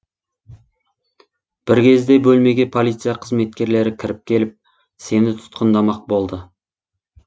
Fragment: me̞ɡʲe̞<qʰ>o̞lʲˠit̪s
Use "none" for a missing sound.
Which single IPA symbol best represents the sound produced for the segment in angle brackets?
pʰ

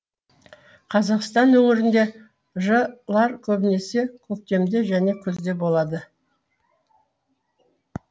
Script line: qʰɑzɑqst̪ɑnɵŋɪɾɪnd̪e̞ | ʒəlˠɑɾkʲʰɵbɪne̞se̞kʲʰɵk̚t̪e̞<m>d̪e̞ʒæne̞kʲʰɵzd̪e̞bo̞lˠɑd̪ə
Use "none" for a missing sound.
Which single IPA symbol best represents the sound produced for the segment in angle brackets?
m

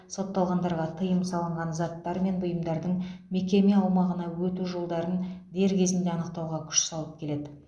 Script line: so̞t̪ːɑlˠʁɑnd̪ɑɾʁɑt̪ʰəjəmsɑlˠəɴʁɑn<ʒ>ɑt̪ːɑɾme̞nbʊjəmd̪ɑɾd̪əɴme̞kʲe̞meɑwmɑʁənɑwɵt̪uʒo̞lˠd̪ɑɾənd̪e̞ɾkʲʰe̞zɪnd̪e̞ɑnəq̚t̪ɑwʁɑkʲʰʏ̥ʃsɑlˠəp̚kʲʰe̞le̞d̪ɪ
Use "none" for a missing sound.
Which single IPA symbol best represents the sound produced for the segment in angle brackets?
z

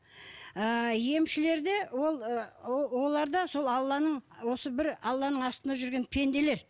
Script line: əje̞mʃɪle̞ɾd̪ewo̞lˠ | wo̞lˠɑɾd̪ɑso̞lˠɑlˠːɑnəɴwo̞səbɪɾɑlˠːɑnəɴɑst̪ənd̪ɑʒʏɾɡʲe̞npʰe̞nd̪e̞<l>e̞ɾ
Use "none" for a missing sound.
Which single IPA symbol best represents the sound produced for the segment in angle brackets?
l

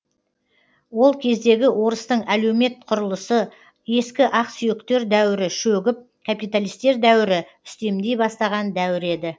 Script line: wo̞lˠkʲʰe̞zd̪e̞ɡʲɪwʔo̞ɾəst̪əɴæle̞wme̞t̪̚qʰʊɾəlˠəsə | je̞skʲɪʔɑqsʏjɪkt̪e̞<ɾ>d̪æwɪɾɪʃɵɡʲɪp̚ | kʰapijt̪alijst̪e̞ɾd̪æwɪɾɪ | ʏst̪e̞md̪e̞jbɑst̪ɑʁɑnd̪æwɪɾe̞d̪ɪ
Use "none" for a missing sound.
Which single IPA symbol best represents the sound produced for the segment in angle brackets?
ɾ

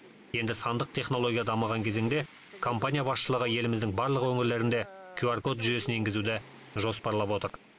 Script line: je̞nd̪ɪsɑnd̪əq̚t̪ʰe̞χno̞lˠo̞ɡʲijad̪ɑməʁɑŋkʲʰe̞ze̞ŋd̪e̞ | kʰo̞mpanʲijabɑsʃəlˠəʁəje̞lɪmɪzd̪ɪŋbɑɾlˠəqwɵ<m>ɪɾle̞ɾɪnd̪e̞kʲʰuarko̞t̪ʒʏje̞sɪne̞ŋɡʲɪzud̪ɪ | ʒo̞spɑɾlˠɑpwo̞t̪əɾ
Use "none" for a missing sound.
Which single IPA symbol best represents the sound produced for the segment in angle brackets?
ŋ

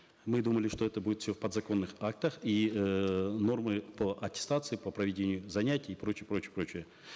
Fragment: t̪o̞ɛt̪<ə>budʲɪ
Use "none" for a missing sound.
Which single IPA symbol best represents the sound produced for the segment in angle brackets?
ə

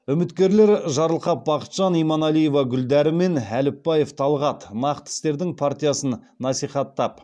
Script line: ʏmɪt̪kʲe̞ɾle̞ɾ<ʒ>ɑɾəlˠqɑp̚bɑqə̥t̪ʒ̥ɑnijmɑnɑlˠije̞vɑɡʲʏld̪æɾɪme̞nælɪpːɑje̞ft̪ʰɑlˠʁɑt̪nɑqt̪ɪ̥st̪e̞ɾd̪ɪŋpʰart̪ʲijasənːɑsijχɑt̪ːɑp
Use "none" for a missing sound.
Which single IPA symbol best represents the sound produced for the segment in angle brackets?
ʒ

